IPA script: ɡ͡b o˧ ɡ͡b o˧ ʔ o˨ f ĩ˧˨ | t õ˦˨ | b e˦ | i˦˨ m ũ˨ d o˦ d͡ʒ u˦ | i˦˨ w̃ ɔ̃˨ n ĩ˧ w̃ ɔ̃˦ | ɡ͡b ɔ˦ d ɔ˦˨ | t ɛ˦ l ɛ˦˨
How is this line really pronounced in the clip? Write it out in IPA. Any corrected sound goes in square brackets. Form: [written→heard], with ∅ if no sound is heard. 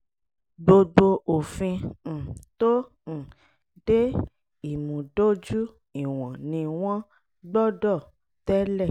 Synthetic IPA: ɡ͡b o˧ ɡ͡b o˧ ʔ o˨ f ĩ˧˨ | t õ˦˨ | [b→d] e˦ | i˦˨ m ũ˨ d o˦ d͡ʒ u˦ | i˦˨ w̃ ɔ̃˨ n ĩ˧ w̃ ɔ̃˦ | ɡ͡b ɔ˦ d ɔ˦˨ | t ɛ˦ l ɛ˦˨